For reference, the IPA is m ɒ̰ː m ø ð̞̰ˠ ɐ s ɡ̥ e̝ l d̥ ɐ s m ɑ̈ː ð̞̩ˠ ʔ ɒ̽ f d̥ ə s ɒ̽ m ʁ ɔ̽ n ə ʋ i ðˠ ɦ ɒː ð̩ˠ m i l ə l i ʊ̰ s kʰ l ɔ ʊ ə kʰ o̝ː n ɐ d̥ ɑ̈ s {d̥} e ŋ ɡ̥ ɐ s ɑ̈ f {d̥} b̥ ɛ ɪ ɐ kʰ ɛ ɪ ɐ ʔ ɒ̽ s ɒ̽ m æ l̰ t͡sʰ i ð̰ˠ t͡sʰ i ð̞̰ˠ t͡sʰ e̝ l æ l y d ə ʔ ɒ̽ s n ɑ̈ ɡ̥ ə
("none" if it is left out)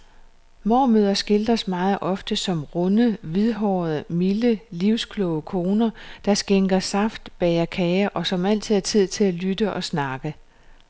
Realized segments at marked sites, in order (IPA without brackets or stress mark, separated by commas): ɡ̥, d̥